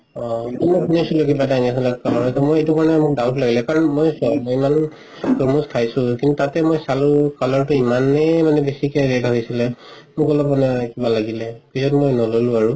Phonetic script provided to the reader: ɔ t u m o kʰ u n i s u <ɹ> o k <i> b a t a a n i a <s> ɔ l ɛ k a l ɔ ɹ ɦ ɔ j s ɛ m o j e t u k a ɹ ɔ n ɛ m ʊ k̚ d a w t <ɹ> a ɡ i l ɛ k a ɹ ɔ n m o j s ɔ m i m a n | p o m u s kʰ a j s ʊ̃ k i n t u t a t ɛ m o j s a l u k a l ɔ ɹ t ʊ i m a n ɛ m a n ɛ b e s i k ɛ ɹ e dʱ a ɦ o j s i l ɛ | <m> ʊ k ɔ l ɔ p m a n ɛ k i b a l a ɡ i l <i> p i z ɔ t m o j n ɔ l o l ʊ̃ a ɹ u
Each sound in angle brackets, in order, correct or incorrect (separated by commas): incorrect, correct, correct, incorrect, correct, incorrect